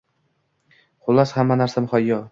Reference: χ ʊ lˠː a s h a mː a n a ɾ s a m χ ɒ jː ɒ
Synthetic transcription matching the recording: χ ʊ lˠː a s h a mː a n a ɾ s a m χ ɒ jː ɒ

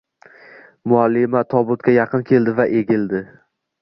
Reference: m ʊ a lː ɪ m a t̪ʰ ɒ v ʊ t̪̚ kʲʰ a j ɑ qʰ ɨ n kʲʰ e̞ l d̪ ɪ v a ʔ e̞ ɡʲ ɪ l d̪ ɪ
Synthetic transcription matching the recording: m ʊ a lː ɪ m a t̪ʰ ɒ b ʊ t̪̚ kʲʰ a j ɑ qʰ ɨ n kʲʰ e̞ l d̪ ɪ v a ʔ e̞ ɡʲ ɪ l d̪ ɪ

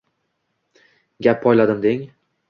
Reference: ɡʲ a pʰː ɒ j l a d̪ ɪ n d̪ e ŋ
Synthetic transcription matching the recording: ɡʲ a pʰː ɒ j l a d̪ ɪ m d̪ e ŋ

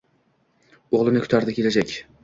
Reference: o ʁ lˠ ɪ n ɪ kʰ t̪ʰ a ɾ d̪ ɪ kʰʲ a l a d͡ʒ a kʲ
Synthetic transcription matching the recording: o ʁ lˠ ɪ n ɪ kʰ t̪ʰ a ɾ d̪ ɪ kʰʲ e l a d͡ʒ a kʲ

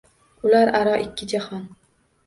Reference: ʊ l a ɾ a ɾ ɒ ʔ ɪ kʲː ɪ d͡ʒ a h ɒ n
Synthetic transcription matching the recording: ʊ l a ɾ a ɾ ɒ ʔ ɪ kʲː ɪ d͡ʒ a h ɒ n

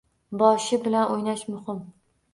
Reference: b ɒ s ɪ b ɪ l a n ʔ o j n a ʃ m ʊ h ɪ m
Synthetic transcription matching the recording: b ɒ ʃ ɪ b ɪ l a n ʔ o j n a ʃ m ʊ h ɪ m

